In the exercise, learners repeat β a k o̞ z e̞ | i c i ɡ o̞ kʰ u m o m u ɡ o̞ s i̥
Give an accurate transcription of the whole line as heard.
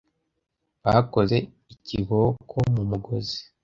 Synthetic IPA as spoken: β a k o̞ z e̞ | i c i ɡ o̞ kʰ o m u m u ɡ o̞ z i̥